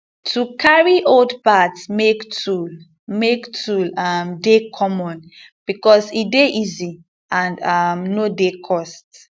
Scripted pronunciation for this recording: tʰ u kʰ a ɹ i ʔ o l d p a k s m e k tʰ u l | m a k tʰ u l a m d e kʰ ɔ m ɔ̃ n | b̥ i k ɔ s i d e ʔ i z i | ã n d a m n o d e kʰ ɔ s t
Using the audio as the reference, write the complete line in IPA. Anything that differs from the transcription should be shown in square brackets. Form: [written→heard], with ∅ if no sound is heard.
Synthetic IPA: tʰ u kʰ a ɹ i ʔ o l d p a [k→t] s m e k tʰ u l | m [a→e] k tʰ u l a m d e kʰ ɔ m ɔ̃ n | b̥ i k ɔ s i d e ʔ i z i | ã n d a m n o d e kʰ ɔ s t